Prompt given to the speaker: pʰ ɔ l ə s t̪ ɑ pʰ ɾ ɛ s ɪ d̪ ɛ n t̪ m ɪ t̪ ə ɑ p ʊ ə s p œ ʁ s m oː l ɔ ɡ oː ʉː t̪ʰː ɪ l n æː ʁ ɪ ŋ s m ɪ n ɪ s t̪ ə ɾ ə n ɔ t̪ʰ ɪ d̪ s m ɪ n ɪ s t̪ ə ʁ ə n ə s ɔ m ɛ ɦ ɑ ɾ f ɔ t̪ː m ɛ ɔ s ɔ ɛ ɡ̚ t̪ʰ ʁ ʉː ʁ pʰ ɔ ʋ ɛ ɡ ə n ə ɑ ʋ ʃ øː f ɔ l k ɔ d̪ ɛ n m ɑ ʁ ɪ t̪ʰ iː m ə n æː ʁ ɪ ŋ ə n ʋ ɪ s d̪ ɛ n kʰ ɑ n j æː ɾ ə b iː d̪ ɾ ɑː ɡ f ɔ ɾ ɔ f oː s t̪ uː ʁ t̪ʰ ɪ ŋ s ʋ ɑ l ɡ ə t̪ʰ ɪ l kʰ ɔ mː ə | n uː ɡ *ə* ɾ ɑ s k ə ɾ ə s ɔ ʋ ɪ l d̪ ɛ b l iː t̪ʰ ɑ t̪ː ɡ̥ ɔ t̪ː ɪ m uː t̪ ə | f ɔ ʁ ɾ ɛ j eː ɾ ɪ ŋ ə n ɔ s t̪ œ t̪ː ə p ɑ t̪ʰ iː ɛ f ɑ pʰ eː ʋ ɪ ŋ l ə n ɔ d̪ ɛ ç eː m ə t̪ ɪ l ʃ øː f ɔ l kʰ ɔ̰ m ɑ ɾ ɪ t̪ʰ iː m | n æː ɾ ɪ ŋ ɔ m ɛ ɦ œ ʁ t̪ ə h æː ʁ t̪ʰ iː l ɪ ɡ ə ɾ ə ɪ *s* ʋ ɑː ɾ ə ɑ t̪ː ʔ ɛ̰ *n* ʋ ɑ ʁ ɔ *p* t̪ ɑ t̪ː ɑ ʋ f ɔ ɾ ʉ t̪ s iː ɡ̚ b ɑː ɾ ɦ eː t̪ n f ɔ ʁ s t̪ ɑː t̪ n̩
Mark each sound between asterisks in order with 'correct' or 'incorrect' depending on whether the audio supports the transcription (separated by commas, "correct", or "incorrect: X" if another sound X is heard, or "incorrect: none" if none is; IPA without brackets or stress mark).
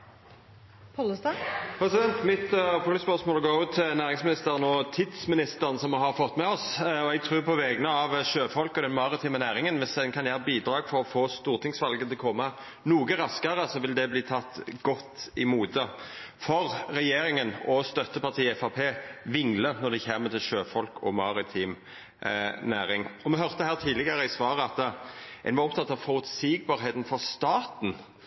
correct, correct, correct, correct